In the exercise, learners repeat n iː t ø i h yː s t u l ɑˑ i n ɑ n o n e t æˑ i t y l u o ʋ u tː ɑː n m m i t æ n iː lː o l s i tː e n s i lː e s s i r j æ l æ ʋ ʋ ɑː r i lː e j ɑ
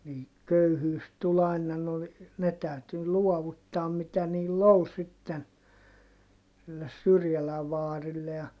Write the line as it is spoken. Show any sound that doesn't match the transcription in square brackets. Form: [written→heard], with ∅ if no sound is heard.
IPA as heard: n iː [t→k] ø [i→y] h yː s t u l ɑˑ i n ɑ n o n e t æˑ [i→y] t y l u [o→ɔ] ʋ u tː ɑː [n→∅] m m i t æ n iː lː o l s i tː e n s i lː e s s [i→y] r j æ l æ ʋ ʋ ɑː r i lː e j ɑ